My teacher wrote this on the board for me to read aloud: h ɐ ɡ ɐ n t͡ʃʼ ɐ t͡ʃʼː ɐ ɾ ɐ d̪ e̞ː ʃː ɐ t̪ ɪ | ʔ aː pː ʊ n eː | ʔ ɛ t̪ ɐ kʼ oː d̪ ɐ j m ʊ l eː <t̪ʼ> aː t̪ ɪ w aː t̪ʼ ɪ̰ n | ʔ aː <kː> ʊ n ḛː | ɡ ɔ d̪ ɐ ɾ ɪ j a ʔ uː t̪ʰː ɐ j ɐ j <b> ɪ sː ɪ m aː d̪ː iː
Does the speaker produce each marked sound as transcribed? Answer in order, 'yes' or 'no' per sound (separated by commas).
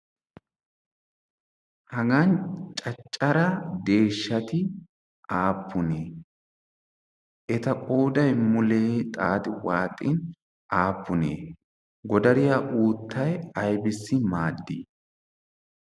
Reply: yes, no, yes